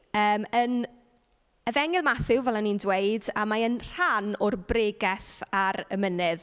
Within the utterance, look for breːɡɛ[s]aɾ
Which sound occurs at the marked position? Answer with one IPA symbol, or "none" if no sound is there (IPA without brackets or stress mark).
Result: θ